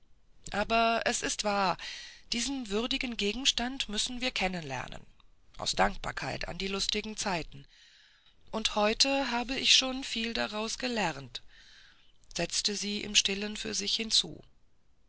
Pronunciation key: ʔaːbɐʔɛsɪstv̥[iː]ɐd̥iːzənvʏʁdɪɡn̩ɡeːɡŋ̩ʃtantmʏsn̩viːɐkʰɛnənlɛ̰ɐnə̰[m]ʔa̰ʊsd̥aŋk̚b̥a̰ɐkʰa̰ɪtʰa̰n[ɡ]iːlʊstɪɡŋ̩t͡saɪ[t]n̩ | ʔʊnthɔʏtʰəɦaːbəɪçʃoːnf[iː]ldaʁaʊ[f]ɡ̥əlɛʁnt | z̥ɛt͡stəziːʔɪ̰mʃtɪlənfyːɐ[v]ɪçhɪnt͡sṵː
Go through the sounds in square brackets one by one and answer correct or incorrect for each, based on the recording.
incorrect, incorrect, incorrect, correct, correct, incorrect, incorrect

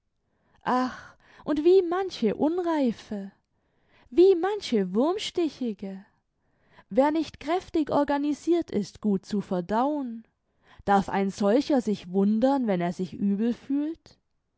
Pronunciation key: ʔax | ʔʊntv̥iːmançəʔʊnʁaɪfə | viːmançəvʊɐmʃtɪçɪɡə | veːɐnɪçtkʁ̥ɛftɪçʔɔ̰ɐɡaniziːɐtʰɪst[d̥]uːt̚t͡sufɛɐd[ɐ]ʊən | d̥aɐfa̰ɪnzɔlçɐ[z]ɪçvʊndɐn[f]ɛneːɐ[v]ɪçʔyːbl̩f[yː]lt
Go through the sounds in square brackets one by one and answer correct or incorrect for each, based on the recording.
incorrect, incorrect, correct, incorrect, incorrect, correct

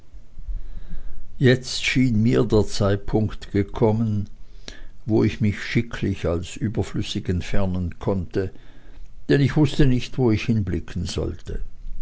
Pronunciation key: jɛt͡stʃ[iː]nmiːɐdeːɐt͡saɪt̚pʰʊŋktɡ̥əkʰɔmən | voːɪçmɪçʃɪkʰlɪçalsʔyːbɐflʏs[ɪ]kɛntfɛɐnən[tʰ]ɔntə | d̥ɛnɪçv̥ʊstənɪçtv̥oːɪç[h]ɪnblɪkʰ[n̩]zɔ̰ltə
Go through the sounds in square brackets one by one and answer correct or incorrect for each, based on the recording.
correct, correct, incorrect, correct, correct

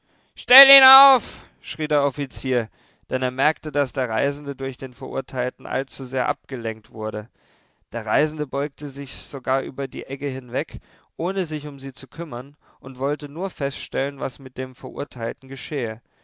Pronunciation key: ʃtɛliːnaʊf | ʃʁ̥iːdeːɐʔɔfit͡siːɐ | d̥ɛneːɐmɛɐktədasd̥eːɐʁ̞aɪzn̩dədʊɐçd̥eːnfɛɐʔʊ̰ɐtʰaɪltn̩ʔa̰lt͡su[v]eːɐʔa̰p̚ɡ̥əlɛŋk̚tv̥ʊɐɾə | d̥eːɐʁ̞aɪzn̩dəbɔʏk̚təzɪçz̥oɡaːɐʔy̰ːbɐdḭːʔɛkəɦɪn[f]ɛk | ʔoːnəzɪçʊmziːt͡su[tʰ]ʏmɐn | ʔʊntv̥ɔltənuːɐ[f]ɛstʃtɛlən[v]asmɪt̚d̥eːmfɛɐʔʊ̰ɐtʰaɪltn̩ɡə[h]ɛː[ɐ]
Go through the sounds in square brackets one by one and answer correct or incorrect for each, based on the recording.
incorrect, incorrect, incorrect, correct, correct, incorrect, incorrect

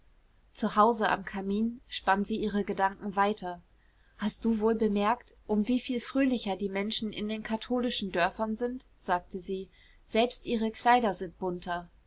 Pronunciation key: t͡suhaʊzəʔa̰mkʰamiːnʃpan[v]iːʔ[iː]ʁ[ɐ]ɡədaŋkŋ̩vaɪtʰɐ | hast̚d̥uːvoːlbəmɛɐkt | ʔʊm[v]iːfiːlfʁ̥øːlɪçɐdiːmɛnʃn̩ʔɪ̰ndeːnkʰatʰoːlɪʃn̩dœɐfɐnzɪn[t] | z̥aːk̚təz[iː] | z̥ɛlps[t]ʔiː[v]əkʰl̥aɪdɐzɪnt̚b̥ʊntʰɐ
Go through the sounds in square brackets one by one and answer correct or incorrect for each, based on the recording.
incorrect, correct, incorrect, correct, correct, correct, correct, incorrect

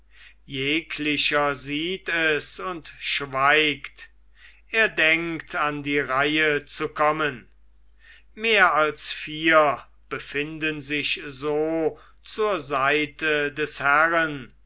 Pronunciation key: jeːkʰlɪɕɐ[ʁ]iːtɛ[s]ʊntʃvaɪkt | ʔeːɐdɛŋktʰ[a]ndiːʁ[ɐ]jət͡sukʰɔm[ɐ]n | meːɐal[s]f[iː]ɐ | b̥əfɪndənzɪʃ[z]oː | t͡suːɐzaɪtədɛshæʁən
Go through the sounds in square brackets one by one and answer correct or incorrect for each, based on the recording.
incorrect, correct, correct, incorrect, incorrect, correct, correct, correct

